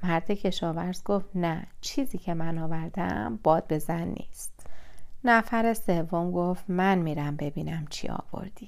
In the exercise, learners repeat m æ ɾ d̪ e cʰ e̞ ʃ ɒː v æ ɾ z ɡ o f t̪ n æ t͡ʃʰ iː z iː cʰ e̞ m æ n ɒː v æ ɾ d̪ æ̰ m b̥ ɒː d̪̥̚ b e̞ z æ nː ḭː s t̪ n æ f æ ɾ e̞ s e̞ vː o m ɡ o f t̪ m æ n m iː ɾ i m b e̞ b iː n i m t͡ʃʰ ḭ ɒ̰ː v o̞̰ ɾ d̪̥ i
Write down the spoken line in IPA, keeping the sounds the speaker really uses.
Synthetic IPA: m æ ɾ d̪ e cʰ e̞ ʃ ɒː v æ ɾ z ɡ o f t̪ n æ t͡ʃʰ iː z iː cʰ e̞ m æ n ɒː v æ ɾ d̪ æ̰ m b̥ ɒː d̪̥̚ b e̞ z æ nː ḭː s t̪ n æ f æ ɾ e̞ s e̞ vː o m ɡ o f t̪ m æ n m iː ɾ æ m b e̞ b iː n æ m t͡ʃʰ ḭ ɒ̰ː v o̞̰ ɾ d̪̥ i